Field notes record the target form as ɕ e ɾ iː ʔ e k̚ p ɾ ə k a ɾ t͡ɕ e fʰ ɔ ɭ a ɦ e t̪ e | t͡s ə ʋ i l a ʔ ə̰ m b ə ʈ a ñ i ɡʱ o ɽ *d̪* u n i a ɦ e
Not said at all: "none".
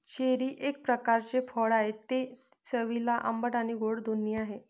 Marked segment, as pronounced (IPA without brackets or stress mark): d̪